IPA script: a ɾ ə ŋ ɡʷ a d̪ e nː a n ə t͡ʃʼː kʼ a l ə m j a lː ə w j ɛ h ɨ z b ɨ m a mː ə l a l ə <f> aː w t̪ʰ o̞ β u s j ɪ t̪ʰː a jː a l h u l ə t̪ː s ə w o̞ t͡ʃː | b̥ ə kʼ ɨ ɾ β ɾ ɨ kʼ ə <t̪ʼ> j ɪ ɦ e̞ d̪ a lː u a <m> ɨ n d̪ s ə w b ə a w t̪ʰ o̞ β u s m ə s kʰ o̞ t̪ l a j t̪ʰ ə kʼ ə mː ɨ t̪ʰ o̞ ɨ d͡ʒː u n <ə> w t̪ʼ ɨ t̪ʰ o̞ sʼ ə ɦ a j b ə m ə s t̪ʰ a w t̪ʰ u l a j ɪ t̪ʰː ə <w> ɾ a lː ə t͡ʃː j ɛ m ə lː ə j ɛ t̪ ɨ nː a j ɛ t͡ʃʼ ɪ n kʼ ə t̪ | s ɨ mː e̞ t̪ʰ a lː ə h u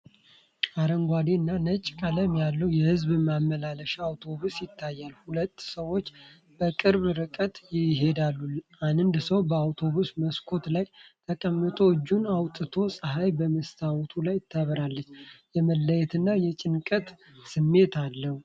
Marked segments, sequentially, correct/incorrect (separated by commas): incorrect, incorrect, incorrect, incorrect, incorrect